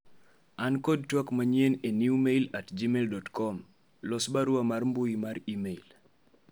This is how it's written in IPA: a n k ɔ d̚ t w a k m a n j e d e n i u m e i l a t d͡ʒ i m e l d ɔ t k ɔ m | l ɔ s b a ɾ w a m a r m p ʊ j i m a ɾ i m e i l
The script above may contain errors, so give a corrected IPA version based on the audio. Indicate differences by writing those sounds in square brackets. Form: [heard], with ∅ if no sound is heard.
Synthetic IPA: a n k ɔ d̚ t w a k m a [ɲ] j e [n] e n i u m e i l a t d͡ʒ i m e l d ɔ t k ɔ m | l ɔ s b a ɾ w a m a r m [b] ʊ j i m a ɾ i m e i l